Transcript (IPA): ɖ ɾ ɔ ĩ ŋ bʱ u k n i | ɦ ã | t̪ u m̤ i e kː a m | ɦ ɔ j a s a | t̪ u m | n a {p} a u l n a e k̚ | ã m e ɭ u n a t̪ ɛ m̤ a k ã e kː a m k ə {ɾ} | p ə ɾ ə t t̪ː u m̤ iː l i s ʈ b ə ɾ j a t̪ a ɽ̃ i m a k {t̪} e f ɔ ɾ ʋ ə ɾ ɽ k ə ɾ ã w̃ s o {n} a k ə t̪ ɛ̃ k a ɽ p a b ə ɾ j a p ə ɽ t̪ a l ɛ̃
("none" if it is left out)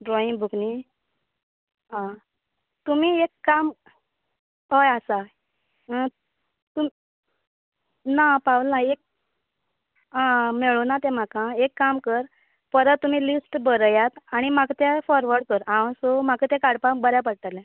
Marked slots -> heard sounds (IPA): p, ɾ, t̪, m

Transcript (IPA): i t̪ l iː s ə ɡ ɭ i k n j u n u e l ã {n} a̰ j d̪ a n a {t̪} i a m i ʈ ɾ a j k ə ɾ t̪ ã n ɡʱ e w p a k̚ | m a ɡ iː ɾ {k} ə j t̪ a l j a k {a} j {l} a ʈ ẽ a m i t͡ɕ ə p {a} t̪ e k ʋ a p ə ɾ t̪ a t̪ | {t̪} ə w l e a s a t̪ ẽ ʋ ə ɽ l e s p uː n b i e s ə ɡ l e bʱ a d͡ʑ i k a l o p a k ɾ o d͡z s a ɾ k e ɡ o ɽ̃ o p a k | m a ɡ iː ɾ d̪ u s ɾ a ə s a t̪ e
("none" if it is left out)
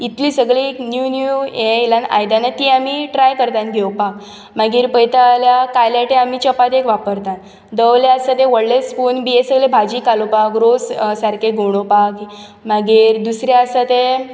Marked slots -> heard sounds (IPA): n, t̪, p, a, l, a, d̪

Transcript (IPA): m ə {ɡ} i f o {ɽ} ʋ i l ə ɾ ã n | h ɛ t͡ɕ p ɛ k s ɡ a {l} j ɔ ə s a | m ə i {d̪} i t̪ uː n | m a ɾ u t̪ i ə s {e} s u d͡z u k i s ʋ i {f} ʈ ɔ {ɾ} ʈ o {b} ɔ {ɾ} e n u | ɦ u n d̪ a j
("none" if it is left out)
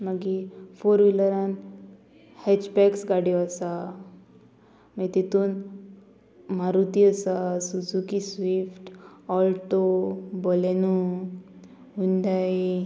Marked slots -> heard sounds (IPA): ɡ, ɾ, ɽ, t̪, a, f, l, b, l

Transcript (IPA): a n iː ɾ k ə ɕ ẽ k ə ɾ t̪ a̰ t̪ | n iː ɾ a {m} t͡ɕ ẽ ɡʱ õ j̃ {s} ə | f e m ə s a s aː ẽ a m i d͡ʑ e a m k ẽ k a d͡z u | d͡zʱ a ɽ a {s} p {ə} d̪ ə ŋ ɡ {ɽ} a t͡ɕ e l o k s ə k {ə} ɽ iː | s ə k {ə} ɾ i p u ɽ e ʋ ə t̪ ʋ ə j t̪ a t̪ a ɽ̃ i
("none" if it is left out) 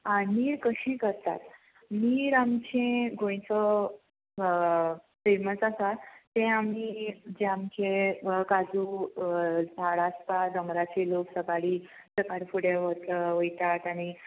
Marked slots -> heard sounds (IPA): m, t͡s, s, a, ɾ, a, a

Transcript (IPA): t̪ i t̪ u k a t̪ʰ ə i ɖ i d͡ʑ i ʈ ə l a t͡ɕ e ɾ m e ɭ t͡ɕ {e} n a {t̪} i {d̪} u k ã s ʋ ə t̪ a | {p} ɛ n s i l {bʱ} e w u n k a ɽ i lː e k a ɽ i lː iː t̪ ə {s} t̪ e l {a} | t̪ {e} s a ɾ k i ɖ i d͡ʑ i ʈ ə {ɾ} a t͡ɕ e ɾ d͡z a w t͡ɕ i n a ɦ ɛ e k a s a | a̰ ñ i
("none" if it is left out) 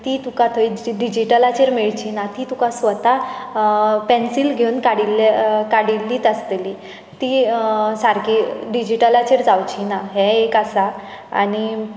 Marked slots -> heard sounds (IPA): i, t̪, t̪, p, ɡʱ, s, i, i, l

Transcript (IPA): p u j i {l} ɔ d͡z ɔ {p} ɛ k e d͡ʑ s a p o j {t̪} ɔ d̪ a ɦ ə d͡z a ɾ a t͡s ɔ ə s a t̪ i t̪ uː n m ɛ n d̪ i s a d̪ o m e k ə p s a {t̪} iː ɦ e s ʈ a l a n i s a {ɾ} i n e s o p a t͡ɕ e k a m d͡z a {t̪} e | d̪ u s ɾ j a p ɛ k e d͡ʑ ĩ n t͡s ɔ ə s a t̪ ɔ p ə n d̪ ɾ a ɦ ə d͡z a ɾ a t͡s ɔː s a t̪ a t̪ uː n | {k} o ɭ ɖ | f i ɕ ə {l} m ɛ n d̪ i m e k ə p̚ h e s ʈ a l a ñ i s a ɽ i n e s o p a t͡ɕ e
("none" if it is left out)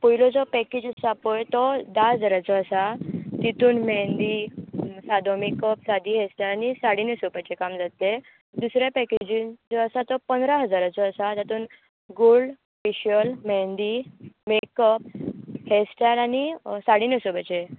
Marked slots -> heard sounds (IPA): l, p, t̪, d̪, ɽ, t̪, ɡ, l

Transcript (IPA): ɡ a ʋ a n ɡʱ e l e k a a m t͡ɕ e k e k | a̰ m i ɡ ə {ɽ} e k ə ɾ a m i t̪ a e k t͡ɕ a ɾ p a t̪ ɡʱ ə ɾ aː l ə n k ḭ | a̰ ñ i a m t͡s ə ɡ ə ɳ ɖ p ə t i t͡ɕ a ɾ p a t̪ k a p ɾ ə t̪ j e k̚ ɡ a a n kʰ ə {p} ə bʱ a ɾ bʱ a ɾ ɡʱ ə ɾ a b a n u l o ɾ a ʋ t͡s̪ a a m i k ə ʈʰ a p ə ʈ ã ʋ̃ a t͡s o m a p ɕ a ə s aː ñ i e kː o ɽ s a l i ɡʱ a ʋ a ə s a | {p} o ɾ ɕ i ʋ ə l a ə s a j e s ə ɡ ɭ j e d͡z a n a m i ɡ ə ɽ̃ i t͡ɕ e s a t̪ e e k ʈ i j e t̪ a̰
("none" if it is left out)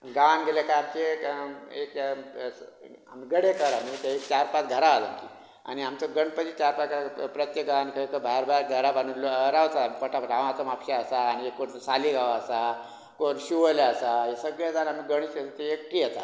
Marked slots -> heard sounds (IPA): ɽ, k, k

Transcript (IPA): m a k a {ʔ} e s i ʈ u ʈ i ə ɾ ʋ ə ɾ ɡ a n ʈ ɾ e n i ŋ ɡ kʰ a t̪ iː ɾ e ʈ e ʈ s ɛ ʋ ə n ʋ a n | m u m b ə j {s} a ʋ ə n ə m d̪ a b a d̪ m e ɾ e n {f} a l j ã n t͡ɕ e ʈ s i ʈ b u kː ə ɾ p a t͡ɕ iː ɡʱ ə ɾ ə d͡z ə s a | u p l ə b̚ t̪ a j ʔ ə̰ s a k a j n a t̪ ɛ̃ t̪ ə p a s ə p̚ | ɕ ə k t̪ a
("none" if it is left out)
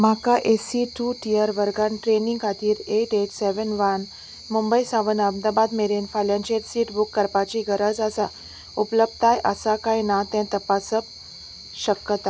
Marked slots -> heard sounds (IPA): ʔ, s, f

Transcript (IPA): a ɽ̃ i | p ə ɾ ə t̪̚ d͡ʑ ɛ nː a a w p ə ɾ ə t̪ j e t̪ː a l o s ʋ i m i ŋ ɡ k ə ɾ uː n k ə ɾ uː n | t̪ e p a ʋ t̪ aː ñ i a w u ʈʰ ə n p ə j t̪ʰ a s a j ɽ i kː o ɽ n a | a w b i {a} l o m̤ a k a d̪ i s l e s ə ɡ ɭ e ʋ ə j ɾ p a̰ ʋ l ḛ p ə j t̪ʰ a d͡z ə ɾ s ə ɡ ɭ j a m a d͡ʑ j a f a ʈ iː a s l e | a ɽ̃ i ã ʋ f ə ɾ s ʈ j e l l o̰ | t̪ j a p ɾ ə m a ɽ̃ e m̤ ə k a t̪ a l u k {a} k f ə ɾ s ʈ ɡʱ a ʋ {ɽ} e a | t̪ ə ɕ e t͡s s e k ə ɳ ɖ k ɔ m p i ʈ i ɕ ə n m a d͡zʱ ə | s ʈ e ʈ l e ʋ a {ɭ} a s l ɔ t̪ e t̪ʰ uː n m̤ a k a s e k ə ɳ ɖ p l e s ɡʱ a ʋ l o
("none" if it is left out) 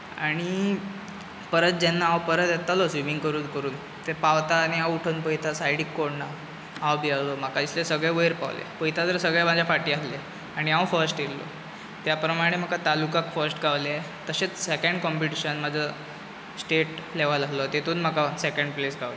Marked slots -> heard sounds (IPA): a, a, l, l

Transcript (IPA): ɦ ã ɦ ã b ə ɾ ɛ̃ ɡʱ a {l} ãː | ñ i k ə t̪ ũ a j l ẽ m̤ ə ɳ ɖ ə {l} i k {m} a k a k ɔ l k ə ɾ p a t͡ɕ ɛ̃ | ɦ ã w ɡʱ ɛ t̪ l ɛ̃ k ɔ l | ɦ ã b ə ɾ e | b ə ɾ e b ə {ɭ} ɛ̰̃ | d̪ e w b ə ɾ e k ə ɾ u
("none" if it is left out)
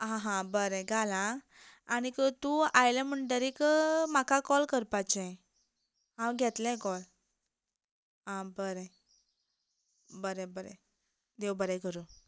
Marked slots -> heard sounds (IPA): l, ɾ, m, ɾ

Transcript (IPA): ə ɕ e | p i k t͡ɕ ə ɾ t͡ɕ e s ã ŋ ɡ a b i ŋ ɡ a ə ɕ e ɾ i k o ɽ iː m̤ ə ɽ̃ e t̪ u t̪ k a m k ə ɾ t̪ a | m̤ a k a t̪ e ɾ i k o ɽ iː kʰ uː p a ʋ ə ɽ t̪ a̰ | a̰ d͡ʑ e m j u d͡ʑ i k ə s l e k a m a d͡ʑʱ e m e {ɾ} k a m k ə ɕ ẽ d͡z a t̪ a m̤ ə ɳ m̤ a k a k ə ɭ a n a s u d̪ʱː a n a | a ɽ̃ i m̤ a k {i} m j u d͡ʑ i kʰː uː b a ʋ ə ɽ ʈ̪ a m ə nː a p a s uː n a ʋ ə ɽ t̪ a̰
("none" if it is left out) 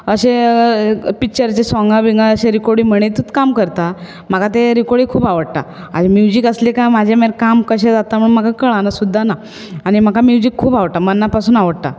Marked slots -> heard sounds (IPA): ɾ, a

